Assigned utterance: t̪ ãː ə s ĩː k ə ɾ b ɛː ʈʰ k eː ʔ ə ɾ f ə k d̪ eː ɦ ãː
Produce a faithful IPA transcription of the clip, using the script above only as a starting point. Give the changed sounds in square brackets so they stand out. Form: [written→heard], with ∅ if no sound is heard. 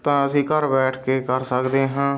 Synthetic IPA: t̪ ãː ə s ĩː k ə ɾ b ɛː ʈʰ k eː [ʔ→k] ə ɾ [f→s] ə k d̪ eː ɦ ãː